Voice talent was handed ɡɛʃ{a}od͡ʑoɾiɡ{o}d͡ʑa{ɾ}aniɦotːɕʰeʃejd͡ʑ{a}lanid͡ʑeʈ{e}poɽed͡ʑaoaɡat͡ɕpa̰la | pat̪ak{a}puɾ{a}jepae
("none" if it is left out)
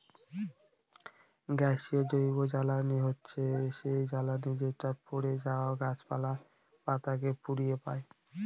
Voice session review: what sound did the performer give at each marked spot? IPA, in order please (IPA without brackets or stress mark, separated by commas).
i, o, l, a, a, e, i